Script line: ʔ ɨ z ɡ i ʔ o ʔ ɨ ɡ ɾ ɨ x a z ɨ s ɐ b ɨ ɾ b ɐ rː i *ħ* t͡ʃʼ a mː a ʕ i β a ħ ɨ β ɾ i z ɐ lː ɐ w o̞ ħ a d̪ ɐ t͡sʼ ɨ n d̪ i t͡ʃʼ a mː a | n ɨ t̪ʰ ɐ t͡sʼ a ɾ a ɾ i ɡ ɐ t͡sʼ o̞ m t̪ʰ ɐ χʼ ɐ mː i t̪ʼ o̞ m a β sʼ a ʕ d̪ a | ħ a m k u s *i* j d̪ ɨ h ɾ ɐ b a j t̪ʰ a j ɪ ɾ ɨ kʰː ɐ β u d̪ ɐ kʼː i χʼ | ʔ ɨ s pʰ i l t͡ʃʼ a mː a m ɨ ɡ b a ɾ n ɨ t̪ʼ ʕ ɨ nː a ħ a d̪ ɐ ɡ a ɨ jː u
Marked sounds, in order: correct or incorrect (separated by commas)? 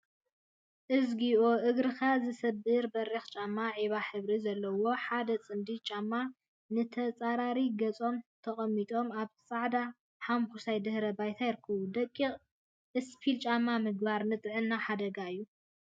incorrect, incorrect